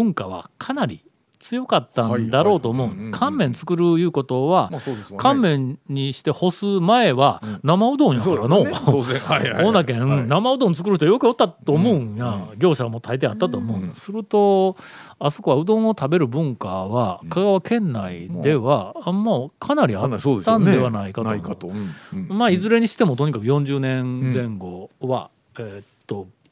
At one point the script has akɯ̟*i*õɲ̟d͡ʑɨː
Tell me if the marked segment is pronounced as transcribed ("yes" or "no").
no